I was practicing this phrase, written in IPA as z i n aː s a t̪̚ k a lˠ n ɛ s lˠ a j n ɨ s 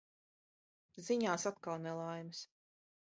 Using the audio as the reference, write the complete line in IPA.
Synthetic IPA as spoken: z i ɲ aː s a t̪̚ k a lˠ n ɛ lˠ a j m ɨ s